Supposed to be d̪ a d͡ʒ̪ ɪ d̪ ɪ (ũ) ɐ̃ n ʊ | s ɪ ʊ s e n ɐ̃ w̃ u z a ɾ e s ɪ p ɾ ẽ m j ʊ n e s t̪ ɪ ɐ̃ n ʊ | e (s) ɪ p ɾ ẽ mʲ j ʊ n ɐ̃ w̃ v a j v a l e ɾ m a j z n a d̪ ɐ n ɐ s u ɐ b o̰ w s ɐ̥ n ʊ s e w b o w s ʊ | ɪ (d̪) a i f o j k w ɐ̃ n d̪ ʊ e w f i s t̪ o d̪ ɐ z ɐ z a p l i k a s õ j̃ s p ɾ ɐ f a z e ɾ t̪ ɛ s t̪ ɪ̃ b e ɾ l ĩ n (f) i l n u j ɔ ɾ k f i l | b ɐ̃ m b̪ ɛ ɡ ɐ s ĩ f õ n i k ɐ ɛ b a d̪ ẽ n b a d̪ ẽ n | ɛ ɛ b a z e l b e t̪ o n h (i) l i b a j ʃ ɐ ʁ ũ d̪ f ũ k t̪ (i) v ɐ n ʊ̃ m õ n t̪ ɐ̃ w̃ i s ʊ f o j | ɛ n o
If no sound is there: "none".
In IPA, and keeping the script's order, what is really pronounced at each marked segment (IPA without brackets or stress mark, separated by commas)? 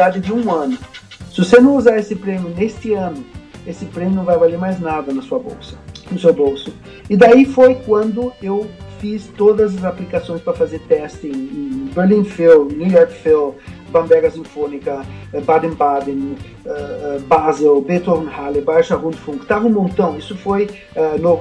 ũ, s, d̪, f, a, a